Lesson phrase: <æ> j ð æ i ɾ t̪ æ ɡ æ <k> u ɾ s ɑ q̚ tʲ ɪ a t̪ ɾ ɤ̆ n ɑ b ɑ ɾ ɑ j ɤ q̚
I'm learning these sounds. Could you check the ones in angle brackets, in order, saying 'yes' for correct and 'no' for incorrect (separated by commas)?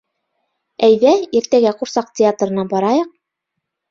yes, no